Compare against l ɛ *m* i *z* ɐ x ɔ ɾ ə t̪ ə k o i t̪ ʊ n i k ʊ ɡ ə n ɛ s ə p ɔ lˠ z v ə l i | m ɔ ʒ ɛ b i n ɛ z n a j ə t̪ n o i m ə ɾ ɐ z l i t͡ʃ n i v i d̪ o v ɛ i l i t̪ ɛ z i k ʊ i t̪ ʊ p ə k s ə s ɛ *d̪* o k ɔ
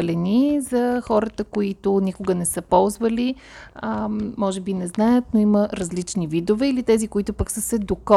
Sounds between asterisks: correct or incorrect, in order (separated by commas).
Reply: incorrect, correct, correct